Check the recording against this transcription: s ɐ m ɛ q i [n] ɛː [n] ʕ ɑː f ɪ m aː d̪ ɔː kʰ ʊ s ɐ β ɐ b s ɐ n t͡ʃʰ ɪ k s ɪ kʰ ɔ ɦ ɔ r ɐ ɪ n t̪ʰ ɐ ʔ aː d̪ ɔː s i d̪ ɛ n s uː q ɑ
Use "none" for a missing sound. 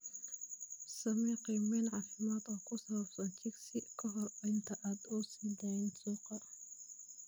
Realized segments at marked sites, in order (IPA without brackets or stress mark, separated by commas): m, n